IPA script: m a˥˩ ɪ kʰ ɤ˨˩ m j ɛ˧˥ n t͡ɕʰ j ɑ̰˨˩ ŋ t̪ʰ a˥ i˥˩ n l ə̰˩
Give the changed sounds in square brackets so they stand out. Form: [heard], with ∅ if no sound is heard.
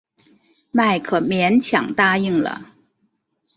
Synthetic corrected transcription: m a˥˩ ɪ kʰ ɤ˨˩ m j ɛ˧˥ n t͡ɕʰ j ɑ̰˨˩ ŋ [t̪] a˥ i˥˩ [ŋ] l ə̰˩